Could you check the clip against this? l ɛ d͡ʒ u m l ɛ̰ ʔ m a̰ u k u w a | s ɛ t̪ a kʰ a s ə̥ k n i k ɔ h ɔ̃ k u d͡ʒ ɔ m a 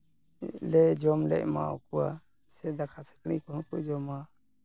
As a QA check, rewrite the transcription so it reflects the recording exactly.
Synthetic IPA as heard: l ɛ d͡ʒ ɔ m l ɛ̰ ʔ m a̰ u k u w a | s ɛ d̪ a kʰ a s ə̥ k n i k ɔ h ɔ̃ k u d͡ʒ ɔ m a